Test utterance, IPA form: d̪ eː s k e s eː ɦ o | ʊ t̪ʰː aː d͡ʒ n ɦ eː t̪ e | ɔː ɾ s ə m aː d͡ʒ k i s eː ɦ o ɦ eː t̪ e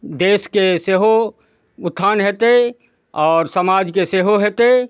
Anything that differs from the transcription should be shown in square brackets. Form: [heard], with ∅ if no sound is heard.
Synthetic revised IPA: d̪ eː s k e s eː ɦ o | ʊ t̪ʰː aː [∅] n ɦ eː t̪ e | ɔː ɾ s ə m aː d͡ʒ k [e] s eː ɦ o ɦ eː t̪ e

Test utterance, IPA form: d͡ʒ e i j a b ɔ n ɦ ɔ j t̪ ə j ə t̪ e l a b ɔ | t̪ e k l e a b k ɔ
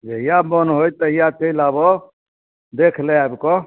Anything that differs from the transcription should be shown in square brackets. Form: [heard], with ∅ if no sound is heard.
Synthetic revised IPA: d͡ʒ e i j a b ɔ n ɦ [o] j t̪ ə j [a] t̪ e l a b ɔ | [d̪] e [kʰ] l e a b k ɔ

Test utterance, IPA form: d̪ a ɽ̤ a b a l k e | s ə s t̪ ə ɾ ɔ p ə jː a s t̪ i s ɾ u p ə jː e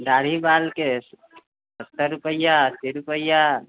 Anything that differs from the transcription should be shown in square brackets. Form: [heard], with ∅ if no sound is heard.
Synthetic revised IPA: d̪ a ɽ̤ [i] b a l k e | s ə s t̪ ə ɾ [u] p ə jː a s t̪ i [∅] ɾ u p ə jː [a]

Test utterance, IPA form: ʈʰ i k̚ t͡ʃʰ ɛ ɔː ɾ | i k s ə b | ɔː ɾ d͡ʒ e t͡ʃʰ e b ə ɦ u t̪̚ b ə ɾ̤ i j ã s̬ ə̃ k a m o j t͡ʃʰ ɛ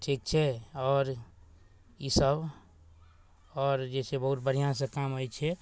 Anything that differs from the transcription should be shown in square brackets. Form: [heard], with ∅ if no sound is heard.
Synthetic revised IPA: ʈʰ i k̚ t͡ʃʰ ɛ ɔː ɾ | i [∅] s ə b | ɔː ɾ d͡ʒ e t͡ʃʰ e b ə ɦ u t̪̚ b ə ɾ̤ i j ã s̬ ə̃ k a m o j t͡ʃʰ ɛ

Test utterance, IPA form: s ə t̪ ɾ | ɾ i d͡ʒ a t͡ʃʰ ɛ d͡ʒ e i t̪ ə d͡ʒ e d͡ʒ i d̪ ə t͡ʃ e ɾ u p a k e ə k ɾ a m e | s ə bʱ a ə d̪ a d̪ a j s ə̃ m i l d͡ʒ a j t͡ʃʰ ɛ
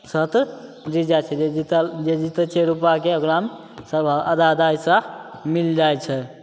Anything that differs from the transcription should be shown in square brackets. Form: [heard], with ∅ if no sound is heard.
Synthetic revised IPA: s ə t̪ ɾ | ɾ i d͡ʒ a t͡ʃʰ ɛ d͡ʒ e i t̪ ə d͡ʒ e d͡ʒ i [t̪] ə t͡ʃ e ɾ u p a k e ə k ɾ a m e | s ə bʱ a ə d̪ a d̪ a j s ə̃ m i l d͡ʒ a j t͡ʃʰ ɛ

